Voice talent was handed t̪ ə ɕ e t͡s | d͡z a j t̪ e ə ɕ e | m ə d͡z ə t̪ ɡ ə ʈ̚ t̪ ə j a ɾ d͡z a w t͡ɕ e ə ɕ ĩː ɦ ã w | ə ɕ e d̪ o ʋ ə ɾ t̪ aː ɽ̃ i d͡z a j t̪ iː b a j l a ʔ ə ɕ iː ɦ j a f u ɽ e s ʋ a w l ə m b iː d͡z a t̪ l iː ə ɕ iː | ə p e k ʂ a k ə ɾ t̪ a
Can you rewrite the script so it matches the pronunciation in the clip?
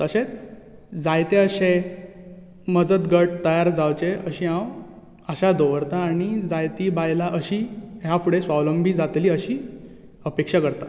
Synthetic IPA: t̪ ə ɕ e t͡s | d͡z a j t̪ e ə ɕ e | m ə d͡z ə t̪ ɡ ə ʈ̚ t̪ ə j a ɾ d͡z a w t͡ɕ e ə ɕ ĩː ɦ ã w | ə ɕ a d̪ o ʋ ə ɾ t̪ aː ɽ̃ i d͡z a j t̪ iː b a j l a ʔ ə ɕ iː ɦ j a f u ɽ e s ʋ a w l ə m b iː d͡z a t̪ l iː ə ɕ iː | ə p e k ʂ a k ə ɾ t̪ a